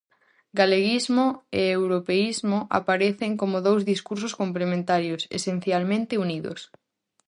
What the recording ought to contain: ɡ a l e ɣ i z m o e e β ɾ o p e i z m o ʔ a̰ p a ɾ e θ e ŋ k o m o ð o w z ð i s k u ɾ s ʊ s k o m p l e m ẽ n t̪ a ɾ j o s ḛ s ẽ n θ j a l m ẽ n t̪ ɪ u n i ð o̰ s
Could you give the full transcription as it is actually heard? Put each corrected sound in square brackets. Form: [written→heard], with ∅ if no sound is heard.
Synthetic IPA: ɡ a l e ɣ i z m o e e [β→w] ɾ o p e i z m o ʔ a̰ p a ɾ e θ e ŋ k o m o ð o w z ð i s k u ɾ s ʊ s k o m p l e m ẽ n t̪ a ɾ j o s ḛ s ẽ n θ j a l m ẽ n t̪ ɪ u n i ð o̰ s